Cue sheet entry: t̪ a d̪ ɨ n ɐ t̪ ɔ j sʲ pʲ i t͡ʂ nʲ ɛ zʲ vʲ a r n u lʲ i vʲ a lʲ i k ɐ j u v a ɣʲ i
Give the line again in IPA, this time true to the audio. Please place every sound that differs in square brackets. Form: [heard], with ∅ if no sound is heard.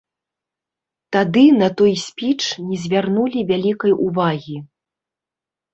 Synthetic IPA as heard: t̪ a d̪ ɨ n ɐ t̪ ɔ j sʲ pʲ i t͡ʂ nʲ ɛ zʲ vʲ a r n u lʲ i vʲ a lʲ i k ɐ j u v a ɣʲ i